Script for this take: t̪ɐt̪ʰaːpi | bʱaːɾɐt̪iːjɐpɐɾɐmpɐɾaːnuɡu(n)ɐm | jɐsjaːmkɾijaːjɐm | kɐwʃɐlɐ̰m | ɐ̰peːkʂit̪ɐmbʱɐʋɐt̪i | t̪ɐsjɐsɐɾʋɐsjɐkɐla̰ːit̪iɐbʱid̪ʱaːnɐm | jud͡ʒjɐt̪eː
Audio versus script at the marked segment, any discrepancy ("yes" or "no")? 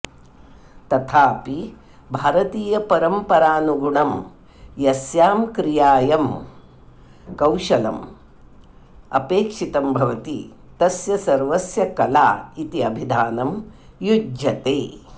yes